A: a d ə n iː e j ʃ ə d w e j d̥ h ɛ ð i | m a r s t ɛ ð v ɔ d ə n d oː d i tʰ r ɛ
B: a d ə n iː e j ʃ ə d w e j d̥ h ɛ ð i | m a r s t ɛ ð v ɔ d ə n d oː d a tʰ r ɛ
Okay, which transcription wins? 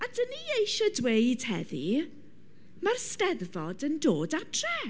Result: B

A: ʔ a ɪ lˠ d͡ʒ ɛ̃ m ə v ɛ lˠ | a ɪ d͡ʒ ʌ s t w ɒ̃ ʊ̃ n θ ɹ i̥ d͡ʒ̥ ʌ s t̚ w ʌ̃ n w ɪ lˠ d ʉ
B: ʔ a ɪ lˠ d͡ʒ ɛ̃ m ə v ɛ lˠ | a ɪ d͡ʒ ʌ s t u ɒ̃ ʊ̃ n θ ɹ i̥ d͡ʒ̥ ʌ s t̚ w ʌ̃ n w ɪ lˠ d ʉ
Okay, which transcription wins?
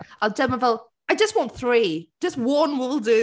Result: A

